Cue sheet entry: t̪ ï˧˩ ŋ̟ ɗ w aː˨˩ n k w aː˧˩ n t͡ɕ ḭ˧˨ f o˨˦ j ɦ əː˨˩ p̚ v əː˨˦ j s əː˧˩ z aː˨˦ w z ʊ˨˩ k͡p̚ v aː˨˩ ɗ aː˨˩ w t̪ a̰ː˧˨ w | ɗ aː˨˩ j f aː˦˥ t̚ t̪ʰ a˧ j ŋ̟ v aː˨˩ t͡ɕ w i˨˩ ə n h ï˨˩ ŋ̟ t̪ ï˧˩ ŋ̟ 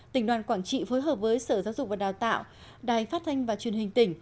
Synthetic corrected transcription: t̪ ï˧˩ ŋ̟ ɗ w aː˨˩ n k w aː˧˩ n t͡ɕ ḭ˧˨ f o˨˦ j ɦ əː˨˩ p̚ v əː˨˦ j s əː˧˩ z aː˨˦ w z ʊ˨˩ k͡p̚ v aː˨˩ ɗ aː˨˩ w t̪ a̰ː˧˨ w | ɗ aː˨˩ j f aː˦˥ t̚ t̪ʰ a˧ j ŋ̟ v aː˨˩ t͡ɕ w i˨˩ ə n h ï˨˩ ŋ̟ t̪ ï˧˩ ŋ̟